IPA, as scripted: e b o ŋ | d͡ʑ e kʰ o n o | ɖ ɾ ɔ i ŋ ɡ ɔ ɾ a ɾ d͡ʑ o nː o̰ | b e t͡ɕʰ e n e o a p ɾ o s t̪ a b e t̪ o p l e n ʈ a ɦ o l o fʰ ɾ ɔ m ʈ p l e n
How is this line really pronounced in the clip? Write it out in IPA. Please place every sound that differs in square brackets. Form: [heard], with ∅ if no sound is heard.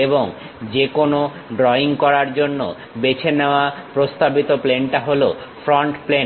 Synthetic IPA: e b o ŋ | d͡ʑ e [k] o n o | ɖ ɾ ɔ i ŋ [k] ɔ ɾ a ɾ d͡ʑ o nː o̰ | b e t͡ɕʰ e n e o a p ɾ o s t̪ a b [i] t̪ o p l e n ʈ a ɦ o l o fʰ ɾ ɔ [ɳ] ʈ p l e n